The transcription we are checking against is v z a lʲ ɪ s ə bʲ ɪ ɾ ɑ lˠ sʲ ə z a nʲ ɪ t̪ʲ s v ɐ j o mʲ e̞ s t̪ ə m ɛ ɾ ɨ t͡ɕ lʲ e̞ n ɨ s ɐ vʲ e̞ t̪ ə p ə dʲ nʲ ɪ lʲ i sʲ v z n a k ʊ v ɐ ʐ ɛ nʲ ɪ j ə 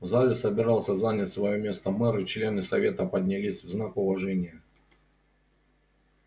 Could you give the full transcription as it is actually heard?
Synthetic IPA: v z a lʲ ɪ s ə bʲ ɪ ɾ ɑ lˠ sʲ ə z a nʲ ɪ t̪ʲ s v ɐ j o mʲ e̞ s t̪ ə m ɛ ɾ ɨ t͡ɕ lʲ e̞ n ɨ s ɐ vʲ e̞ t̪ ə p ə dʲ nʲ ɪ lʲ i sʲ v z n a k ʊ v ɐ ʐ ɛ nʲ ɪ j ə